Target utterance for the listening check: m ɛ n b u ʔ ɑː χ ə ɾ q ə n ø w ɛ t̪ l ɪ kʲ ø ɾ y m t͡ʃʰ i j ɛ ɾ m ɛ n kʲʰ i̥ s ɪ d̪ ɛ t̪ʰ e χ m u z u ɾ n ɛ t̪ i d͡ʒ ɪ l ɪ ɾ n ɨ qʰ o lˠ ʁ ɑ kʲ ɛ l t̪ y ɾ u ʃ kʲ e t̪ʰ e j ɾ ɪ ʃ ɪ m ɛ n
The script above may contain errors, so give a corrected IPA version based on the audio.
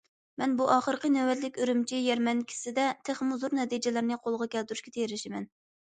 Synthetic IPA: m ɛ n b u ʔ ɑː χ ə ɾ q ə n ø w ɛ t̪ l ɪ kʲ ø ɾ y m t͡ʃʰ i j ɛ ɾ m ɛ n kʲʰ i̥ s ɪ d̪ ɛ t̪ʰ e χ m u z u ɾ n ɛ t̪ i d͡ʒ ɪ l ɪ ɾ n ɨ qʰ o lˠ ʁ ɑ kʲ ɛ l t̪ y ɾ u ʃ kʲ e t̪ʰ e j ɾ ɪ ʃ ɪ m ɛ n